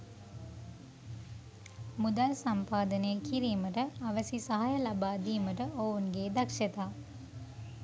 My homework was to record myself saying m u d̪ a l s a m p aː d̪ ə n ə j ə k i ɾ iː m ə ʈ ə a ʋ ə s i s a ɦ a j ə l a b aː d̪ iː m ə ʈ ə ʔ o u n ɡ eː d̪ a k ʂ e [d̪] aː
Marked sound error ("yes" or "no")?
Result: yes